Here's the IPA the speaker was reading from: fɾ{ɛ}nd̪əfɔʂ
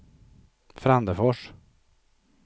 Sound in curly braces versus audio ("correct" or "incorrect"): incorrect